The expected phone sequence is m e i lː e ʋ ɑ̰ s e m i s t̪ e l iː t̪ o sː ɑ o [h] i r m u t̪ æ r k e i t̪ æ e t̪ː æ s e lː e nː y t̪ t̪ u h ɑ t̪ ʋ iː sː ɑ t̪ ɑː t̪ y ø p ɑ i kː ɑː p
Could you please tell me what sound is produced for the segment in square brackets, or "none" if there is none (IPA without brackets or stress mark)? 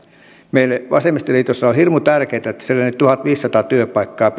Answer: h